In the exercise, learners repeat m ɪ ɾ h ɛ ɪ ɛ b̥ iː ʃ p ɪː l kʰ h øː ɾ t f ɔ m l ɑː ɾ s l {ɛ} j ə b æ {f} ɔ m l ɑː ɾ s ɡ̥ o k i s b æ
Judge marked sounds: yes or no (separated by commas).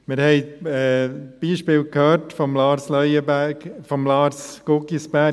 no, yes